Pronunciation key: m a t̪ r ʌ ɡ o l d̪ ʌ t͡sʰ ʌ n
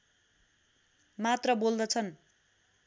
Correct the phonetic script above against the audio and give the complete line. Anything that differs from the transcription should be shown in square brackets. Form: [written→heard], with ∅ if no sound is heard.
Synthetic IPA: m a t̪ r ʌ [ɡ→b] o l d̪ ʌ t͡sʰ ʌ n